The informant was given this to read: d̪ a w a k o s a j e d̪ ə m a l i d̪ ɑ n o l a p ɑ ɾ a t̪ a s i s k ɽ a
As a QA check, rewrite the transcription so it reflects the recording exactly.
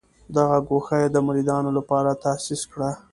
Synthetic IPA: d̪ a ɣ a ɡ o x a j e d̪ ə m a ɾ i d̪ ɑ n o l a p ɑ ɾ a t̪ a s i s k ɽ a